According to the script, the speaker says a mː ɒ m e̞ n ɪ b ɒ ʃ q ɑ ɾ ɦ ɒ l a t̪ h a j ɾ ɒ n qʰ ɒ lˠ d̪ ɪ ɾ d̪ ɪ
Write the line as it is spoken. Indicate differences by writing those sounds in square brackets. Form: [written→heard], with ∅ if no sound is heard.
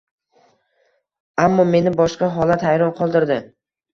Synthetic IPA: a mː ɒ m e̞ n ɪ b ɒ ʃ q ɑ [ɾ→∅] ɦ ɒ l a t̪ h a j ɾ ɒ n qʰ ɒ lˠ d̪ ɪ ɾ d̪ ɪ